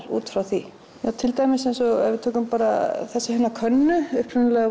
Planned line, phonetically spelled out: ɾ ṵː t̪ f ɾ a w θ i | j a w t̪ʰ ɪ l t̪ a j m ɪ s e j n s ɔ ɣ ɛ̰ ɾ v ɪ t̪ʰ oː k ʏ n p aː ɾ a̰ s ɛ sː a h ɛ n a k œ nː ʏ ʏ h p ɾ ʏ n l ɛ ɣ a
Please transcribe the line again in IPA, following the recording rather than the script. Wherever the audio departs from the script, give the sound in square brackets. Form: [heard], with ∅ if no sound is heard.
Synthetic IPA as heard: ɾ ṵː t̪ f ɾ a w θ i | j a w t̪ʰ ɪ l t̪ a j m ɪ s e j n s ɔ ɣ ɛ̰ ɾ v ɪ t̪ʰ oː k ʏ [m] p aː ɾ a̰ [θ] ɛ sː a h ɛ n a [kʰ] œ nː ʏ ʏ h p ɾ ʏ n l ɛ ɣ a